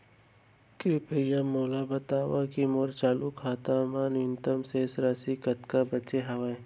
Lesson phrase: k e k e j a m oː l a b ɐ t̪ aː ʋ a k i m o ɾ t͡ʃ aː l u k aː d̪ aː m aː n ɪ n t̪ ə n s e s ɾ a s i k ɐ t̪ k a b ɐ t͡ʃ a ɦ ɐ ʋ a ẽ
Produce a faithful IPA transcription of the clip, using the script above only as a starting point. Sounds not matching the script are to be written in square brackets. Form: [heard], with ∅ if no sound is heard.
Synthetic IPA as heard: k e [p] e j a m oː l a b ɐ t̪ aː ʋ a k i m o ɾ t͡ʃ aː l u k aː [t̪] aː m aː n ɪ n t̪ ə [m] s e s ɾ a s i k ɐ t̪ k a b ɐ t͡ʃ [e] ɦ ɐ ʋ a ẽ